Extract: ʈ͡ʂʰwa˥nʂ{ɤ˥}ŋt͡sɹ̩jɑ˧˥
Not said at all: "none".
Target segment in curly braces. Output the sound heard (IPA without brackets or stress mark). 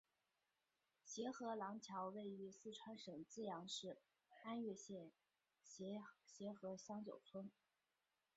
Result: ɤ˨˩